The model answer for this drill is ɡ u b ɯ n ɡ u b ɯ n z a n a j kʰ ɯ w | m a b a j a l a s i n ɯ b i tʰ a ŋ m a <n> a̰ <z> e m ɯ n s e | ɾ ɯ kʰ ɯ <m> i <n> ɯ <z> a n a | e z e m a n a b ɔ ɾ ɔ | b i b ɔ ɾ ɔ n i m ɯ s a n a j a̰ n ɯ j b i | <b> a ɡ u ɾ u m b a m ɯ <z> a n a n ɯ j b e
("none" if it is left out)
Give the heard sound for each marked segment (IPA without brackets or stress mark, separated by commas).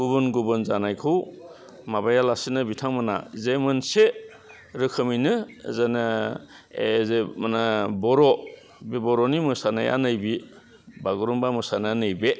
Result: n, z, m, n, z, b, s